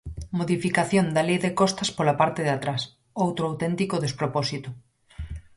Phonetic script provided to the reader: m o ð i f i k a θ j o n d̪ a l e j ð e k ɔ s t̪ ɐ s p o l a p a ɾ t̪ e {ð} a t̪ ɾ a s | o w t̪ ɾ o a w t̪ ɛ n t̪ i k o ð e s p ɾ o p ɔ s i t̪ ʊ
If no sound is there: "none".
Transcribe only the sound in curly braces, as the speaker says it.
ð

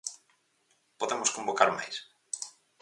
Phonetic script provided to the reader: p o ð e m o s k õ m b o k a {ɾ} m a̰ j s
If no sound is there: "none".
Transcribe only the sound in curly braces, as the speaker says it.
ɾ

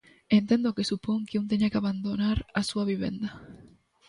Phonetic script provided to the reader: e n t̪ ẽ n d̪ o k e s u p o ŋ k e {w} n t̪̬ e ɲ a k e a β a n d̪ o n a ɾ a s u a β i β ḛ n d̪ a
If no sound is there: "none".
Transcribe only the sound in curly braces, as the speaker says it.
u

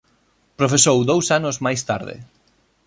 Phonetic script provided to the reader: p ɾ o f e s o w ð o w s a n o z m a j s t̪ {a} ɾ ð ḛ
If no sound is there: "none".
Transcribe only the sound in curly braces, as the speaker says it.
a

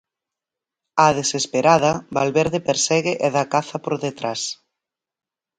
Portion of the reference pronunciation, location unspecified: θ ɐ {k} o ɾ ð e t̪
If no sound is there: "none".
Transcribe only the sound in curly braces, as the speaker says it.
p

